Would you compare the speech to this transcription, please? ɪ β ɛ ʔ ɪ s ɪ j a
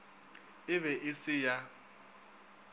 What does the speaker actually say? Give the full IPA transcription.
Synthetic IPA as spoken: ɪ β ɛ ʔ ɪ s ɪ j a